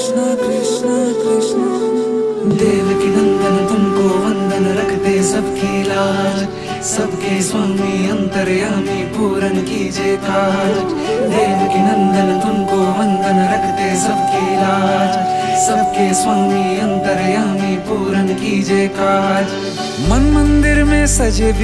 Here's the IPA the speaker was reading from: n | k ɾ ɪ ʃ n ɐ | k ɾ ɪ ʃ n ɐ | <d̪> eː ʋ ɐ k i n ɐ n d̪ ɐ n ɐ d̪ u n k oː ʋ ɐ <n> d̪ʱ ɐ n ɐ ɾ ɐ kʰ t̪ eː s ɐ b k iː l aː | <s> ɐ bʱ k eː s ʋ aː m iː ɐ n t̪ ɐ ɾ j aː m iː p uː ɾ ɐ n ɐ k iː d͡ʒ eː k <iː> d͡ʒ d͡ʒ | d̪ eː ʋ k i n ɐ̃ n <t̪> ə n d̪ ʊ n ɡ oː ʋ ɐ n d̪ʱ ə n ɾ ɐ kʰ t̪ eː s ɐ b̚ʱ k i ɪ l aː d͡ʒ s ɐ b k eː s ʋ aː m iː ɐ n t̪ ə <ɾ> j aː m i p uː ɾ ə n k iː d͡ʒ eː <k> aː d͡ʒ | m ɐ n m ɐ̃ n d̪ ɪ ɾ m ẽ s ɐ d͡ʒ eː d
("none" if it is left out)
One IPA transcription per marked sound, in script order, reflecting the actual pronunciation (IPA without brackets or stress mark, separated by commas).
d̪, n, s, aː, d̪, ɾ, k